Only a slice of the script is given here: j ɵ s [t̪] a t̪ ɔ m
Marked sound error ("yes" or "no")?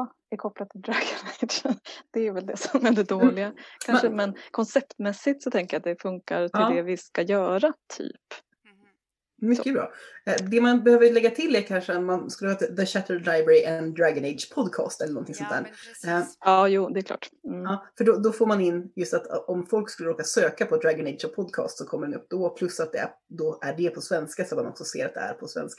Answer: no